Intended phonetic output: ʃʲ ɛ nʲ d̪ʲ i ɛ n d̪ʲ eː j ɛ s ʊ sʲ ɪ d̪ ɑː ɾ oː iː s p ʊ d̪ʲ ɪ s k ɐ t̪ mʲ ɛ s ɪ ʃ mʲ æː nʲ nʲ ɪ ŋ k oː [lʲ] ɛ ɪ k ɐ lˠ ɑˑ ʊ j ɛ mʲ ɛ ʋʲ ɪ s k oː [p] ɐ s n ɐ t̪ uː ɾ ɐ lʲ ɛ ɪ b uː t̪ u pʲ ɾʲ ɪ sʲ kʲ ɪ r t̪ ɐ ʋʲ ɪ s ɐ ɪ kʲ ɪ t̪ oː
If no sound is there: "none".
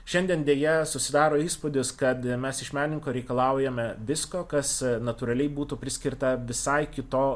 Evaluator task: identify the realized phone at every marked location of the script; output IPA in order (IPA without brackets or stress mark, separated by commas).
ɾʲ, k